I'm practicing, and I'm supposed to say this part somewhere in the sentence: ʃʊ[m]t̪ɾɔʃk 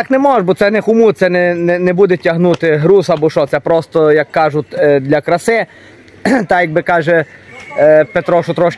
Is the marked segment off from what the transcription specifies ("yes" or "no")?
yes